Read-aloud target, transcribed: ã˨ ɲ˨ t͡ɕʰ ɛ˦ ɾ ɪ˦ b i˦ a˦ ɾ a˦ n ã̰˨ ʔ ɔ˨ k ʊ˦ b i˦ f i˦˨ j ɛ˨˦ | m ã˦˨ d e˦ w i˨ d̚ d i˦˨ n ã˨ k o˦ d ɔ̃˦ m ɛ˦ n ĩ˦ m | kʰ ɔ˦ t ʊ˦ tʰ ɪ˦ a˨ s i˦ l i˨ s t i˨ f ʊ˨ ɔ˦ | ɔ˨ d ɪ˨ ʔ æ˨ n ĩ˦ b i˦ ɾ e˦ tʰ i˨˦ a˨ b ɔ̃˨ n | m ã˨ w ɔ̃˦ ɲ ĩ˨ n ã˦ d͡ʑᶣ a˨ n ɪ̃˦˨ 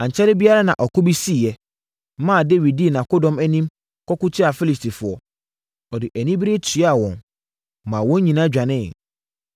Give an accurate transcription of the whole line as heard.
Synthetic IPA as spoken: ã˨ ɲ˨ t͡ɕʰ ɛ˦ ɾ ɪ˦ b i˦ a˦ ɾ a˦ n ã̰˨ ʔ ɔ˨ k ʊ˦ b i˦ s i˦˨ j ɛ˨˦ | m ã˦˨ d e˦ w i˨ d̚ d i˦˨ n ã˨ k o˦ d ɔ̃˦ m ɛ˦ n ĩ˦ m | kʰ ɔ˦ k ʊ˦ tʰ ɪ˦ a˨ f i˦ l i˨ s t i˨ f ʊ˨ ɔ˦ | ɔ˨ d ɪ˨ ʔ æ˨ n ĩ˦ b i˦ ɾ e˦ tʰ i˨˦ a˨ w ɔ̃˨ n | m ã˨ w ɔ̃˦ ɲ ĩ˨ n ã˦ d͡ʑᶣ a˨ n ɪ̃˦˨

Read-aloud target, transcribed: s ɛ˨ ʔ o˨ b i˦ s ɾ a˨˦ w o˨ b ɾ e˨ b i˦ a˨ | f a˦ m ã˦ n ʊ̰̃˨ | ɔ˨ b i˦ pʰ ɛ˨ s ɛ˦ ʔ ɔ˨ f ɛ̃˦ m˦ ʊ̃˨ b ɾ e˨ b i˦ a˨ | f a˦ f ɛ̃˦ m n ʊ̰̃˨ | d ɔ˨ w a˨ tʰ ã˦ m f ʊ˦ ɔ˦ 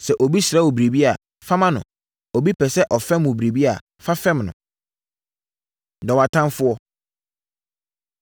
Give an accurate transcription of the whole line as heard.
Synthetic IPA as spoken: s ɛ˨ ʔ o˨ b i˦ s ɾ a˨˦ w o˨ b ɾ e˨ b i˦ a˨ | f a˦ m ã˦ n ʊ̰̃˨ | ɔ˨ b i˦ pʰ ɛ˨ s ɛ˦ ʔ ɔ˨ f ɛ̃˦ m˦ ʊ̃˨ b ɾ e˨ b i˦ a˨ | f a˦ f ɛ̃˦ m n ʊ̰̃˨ | d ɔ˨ w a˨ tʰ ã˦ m f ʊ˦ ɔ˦

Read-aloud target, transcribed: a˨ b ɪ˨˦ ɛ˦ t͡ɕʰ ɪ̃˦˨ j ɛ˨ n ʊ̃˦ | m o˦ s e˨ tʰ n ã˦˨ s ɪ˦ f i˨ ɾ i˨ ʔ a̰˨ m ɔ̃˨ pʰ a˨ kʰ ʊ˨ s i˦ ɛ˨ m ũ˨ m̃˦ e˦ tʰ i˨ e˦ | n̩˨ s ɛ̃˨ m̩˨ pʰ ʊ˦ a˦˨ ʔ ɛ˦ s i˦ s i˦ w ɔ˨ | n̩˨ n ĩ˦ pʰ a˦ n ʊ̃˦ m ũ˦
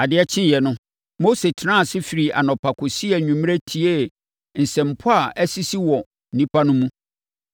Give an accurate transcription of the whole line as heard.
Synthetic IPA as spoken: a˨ d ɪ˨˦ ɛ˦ t͡ɕʰ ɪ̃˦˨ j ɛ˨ n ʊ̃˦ | m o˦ s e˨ tʰ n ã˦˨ s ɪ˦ f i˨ ɾ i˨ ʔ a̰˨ n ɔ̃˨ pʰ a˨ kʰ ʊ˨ s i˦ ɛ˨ ɲ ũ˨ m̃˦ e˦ tʰ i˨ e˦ | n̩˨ s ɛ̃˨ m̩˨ pʰ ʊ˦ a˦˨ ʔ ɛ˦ s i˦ s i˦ w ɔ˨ | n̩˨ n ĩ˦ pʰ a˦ n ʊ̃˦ m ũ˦

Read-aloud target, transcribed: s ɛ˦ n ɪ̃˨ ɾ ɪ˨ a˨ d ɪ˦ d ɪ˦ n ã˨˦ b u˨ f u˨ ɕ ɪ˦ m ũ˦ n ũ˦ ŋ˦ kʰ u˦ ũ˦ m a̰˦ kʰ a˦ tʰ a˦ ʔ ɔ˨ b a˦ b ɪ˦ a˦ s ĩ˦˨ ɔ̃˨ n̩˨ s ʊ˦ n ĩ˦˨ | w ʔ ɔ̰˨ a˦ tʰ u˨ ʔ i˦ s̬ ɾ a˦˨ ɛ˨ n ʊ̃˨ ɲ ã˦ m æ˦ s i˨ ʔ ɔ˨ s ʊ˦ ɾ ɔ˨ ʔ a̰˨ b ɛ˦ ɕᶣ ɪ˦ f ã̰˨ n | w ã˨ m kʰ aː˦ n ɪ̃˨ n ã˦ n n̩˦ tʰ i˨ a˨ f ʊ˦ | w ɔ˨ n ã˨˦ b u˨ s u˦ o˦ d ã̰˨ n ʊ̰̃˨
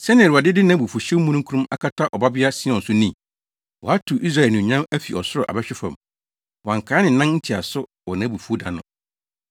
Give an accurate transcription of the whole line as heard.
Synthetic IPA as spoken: s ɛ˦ n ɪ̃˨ ɾ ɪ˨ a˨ d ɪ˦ d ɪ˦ n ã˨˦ b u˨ f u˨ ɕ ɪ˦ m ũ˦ n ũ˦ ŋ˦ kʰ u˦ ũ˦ m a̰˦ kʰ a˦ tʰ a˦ ʔ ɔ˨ b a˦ b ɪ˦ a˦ s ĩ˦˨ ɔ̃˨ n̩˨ s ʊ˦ n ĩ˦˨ | w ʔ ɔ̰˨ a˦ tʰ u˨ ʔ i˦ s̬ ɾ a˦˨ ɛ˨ n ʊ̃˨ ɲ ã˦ m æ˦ f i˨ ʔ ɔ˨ s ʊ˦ ɾ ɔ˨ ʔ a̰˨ b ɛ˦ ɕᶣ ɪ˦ f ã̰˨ m | w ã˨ ŋ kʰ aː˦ n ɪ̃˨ n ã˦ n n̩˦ tʰ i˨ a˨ s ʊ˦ | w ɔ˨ n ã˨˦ b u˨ f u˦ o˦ d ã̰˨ n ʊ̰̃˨

